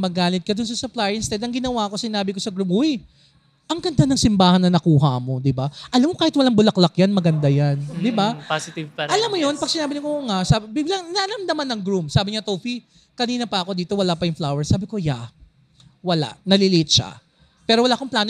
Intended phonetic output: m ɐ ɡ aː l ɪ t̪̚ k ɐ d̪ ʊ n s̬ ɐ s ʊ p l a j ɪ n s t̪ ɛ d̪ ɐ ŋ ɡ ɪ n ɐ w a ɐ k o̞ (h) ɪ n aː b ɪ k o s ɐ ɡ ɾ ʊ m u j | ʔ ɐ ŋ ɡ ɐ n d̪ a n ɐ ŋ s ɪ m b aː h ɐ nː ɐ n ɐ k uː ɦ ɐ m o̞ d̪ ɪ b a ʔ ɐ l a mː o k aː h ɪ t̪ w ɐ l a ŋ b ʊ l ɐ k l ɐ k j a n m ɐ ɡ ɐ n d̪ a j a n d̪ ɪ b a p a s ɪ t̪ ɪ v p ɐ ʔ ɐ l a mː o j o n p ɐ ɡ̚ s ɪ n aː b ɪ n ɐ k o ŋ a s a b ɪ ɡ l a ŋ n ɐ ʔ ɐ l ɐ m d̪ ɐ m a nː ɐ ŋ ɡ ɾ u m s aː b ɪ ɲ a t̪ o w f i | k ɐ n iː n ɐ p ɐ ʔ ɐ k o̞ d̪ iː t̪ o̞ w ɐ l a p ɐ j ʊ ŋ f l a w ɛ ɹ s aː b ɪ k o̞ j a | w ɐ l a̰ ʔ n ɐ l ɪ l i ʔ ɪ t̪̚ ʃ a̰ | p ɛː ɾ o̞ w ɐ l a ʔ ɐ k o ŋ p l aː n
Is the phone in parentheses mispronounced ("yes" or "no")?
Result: yes